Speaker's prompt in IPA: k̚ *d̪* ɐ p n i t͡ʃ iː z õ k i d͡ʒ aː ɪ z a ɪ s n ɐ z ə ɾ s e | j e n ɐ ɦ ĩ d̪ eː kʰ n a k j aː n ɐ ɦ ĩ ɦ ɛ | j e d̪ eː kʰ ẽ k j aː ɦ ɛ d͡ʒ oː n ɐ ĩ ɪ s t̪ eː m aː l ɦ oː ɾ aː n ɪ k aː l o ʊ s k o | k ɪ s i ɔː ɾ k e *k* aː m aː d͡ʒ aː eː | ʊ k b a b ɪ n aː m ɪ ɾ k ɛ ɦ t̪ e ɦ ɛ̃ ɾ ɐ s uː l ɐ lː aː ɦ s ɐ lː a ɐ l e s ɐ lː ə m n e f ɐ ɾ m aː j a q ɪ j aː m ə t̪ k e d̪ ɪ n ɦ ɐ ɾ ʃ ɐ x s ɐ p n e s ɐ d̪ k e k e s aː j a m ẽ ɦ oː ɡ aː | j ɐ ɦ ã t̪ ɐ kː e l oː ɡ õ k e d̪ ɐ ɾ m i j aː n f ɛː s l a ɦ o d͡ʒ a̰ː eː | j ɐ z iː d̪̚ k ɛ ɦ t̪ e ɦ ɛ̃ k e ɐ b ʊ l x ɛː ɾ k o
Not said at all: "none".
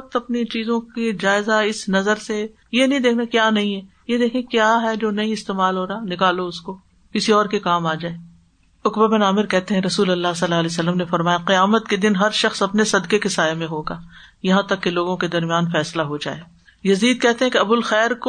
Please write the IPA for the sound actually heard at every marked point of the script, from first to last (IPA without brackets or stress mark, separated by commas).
t̪, k